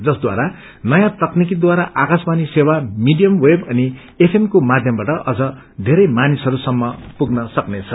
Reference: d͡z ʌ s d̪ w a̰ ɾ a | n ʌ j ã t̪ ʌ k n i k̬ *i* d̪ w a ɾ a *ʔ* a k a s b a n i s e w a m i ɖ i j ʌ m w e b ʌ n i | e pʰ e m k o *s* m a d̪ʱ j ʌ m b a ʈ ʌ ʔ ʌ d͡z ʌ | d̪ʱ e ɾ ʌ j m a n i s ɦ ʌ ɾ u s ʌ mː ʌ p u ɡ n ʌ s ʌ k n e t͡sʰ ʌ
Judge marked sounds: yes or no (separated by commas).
yes, yes, no